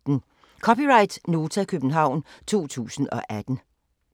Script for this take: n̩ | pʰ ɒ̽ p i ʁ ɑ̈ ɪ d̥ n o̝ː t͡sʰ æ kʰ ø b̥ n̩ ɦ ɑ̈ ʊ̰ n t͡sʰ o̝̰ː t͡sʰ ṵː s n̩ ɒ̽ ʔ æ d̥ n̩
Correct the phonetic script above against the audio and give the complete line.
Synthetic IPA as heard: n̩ | kʰ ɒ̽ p i ʁ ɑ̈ ɪ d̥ n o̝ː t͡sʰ æ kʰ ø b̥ n̩ ɦ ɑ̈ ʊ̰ n t͡sʰ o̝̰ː t͡sʰ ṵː s n̩ ɒ̽ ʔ æ d̥ n̩